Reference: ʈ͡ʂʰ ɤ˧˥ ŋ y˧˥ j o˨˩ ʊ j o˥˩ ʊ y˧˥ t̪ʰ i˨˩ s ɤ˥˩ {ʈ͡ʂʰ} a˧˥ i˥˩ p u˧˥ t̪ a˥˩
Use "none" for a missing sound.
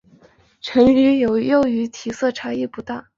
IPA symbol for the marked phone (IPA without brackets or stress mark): ʈ͡ʂʰ